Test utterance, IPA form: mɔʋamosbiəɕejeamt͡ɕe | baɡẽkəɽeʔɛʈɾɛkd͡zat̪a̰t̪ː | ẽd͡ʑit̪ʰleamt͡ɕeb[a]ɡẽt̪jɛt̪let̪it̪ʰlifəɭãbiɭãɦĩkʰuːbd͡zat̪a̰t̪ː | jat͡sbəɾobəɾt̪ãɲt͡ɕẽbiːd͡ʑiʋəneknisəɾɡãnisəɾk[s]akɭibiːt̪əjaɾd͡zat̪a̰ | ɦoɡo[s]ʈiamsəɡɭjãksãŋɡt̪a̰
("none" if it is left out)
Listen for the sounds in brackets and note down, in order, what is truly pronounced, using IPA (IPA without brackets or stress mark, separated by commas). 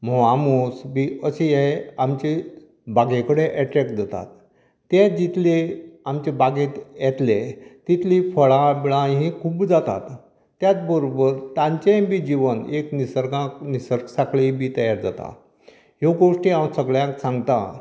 a, s, ʂ